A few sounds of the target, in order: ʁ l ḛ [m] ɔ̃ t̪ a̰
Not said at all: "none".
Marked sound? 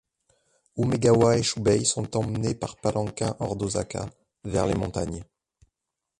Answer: m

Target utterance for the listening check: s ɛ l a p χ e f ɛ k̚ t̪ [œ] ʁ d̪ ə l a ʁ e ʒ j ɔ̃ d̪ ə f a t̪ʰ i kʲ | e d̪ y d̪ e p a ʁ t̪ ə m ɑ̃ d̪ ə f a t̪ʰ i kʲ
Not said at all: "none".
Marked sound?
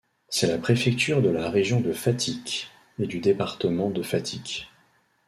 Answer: y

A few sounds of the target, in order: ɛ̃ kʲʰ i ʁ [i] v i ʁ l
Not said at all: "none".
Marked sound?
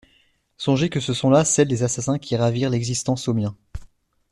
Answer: a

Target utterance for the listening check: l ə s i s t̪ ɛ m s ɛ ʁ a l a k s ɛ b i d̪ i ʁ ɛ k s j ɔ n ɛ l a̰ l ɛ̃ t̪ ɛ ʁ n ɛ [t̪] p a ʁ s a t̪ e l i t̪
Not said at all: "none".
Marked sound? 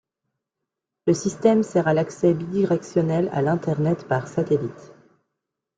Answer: t̪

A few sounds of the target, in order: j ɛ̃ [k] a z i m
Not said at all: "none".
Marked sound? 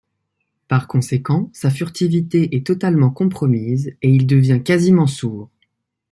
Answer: k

